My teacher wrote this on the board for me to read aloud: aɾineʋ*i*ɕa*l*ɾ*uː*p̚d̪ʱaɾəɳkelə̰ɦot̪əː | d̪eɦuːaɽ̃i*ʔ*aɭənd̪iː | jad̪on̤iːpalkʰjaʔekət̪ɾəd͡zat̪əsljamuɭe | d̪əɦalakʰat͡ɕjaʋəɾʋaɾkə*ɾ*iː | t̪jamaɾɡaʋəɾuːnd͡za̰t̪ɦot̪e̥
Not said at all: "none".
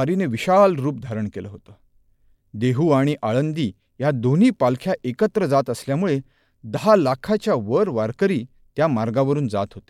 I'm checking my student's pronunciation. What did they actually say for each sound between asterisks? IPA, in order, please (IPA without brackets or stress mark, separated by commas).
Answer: i, l, uː, ʔ, ɾ